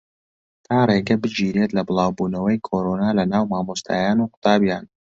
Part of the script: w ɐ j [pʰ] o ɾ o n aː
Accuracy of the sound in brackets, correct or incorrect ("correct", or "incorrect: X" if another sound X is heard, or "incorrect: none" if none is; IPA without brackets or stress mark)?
incorrect: kʰ